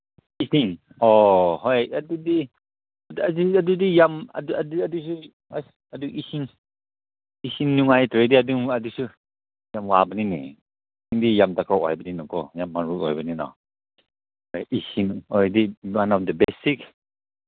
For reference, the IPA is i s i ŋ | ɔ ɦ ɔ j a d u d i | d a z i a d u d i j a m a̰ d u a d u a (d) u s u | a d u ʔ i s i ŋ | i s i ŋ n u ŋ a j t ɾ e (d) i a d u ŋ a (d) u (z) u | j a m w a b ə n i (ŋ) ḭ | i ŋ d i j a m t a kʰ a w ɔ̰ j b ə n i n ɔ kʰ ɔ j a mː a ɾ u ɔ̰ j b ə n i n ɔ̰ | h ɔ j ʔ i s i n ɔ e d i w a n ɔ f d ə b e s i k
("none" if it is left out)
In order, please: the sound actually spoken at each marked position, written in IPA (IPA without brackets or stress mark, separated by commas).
d, d, d, s, n